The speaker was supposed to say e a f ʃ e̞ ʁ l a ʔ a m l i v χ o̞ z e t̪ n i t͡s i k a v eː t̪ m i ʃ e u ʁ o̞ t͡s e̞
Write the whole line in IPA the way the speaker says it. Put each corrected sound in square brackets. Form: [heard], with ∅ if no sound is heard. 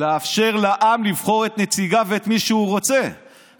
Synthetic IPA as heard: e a f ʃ e̞ ʁ l a ʔ a m l i v χ o̞ [ʁ] e t̪ n [e] t͡s i [ɡ] a v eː t̪ m i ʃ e u ʁ o̞ t͡s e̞